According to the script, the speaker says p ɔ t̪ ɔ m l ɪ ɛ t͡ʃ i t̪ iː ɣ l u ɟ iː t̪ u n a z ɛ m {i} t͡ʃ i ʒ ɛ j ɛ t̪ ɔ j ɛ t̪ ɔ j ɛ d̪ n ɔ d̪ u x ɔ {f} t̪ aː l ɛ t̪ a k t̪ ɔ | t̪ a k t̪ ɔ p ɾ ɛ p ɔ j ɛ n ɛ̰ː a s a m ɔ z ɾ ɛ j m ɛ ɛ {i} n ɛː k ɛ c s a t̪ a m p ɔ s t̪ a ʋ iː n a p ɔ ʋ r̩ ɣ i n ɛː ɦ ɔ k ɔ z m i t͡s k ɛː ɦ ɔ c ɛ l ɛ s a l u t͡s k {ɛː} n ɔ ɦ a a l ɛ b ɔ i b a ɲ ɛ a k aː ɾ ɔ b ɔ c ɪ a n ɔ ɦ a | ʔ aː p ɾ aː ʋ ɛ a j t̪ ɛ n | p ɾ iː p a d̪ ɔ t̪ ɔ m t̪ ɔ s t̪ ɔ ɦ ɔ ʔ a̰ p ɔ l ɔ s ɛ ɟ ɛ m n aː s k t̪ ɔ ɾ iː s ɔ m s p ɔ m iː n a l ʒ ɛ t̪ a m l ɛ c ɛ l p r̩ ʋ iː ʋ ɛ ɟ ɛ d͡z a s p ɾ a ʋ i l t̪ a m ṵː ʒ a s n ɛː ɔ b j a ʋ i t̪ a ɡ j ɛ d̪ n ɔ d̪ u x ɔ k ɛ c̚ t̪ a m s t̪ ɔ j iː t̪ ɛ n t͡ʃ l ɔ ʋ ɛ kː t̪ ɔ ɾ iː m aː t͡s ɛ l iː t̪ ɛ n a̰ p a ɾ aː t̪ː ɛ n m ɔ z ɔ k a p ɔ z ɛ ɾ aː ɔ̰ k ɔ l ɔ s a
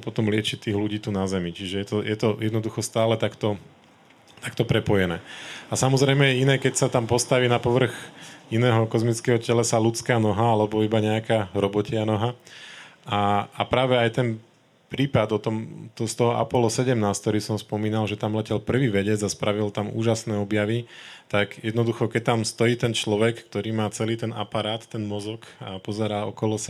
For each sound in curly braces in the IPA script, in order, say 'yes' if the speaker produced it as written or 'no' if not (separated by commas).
yes, no, yes, no